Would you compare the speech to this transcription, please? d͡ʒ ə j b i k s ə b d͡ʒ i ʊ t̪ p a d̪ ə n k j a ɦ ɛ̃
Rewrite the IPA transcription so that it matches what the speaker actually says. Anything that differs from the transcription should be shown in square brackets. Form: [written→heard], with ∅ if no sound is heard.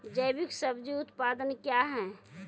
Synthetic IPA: d͡ʒ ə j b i k s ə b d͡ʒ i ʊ t̪ p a d̪ ə n k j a ɦ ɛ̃